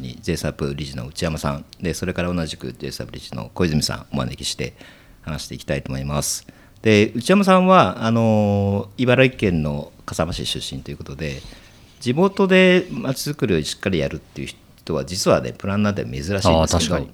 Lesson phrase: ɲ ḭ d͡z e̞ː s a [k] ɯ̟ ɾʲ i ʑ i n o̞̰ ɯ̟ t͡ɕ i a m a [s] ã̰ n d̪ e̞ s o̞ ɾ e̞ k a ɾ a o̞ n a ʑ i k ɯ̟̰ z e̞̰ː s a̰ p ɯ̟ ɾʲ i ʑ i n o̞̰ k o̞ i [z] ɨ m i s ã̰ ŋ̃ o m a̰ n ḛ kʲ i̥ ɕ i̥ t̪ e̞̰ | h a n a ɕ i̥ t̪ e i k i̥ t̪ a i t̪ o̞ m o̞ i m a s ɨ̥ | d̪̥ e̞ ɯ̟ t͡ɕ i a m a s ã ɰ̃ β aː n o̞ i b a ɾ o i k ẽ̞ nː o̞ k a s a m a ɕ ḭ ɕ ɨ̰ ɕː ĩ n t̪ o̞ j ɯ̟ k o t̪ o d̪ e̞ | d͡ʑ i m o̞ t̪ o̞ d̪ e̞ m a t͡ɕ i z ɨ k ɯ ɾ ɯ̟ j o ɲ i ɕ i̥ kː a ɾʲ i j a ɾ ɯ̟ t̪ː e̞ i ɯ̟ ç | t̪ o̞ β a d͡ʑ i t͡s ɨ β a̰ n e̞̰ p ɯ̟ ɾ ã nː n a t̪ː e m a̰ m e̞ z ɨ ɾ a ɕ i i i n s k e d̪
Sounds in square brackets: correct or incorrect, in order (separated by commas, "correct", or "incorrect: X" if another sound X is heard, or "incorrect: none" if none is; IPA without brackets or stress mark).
incorrect: p, correct, correct